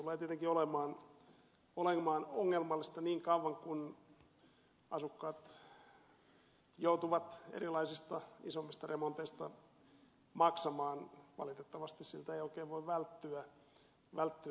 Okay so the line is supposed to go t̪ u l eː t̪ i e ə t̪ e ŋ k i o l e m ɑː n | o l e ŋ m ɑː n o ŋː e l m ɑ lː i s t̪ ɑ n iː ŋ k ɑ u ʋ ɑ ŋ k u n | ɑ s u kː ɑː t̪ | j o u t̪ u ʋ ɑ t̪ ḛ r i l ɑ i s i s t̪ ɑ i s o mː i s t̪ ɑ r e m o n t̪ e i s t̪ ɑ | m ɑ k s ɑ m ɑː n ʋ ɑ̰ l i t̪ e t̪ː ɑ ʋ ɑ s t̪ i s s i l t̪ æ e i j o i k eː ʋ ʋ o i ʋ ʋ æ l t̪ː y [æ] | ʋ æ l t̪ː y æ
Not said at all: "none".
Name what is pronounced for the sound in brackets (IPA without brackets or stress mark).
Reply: æ